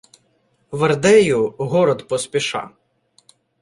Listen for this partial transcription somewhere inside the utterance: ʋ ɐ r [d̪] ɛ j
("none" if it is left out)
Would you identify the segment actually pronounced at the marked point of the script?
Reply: d̪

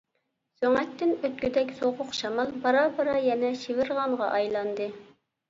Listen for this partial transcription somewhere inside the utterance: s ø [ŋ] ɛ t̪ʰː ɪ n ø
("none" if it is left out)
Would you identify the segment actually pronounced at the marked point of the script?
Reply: ŋ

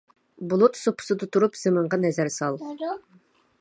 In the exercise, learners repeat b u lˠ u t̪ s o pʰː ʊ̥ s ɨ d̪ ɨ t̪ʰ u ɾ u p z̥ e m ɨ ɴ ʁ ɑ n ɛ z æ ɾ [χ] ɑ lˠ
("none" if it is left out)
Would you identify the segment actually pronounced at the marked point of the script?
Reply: s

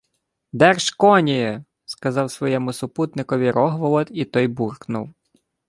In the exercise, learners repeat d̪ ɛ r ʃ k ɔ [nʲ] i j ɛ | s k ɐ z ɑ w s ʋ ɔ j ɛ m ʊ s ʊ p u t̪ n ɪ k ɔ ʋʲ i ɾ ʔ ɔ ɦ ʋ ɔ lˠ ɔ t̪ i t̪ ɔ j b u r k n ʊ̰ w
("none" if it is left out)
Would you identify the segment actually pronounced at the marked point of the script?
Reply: nʲ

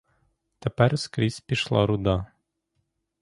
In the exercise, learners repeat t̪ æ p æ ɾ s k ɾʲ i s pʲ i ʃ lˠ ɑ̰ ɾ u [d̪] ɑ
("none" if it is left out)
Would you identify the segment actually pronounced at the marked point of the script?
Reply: d̪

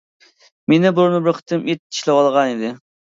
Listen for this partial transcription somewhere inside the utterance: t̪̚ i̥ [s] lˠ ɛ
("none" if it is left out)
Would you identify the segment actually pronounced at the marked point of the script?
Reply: ʃ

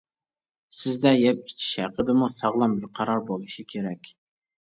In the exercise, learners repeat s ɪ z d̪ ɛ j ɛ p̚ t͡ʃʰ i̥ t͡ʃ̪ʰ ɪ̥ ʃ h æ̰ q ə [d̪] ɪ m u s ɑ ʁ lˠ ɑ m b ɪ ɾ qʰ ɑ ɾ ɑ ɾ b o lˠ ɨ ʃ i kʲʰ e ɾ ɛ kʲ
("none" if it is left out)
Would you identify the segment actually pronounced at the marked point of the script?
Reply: d̪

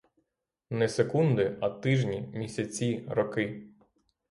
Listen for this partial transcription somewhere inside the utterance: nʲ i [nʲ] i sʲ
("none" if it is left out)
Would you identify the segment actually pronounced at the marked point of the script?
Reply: mʲ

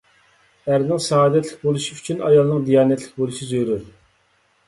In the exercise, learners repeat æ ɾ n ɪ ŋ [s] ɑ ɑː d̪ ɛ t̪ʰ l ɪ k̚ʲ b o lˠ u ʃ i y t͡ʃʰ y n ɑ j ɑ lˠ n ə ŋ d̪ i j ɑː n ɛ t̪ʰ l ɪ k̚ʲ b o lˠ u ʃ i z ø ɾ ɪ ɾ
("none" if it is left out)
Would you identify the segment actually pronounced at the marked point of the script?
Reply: s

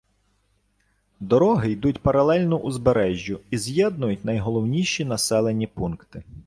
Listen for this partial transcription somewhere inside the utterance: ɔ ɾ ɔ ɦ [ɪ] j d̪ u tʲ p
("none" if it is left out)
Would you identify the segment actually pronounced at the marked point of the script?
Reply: ɪ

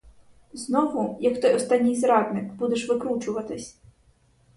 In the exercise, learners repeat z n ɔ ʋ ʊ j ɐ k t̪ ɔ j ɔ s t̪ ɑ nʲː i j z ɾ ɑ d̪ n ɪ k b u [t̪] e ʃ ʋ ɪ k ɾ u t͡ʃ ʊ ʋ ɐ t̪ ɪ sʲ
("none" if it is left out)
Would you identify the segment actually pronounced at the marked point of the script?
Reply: d̪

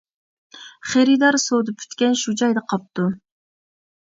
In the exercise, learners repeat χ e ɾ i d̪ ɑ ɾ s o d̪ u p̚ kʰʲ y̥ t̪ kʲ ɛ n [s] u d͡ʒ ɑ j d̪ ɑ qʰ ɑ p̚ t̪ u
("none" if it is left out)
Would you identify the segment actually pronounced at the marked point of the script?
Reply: ʃ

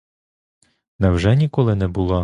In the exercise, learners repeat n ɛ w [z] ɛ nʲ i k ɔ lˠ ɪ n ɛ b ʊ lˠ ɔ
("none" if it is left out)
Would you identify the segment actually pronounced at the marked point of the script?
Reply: ʒ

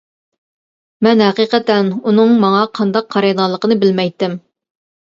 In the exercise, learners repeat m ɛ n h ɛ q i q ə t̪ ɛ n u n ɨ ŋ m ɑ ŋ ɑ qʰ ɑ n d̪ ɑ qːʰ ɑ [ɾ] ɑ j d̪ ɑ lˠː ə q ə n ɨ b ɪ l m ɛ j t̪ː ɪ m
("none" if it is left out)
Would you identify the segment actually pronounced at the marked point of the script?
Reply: ɾ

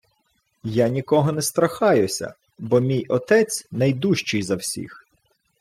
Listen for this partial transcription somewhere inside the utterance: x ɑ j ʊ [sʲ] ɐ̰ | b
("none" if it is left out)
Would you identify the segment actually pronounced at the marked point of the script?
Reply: sʲ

